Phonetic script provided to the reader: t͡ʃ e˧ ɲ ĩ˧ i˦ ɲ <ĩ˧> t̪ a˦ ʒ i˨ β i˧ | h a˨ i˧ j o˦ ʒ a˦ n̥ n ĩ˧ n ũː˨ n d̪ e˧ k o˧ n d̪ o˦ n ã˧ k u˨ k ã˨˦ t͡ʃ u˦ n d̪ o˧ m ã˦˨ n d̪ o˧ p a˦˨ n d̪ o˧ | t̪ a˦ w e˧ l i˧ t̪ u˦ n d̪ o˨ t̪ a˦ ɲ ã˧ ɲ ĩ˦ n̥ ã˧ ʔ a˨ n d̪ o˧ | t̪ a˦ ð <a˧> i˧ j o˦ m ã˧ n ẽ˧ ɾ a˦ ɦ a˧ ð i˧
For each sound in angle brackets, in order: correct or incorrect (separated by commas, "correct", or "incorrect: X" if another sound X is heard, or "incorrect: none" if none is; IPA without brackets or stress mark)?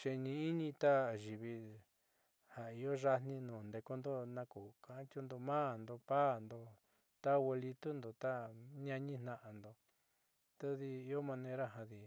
correct, incorrect: i˧